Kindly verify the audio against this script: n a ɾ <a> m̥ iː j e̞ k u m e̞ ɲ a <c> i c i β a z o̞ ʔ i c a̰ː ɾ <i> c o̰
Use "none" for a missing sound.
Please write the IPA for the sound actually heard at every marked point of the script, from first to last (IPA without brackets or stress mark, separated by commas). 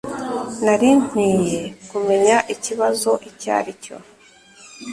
i, ʔ, i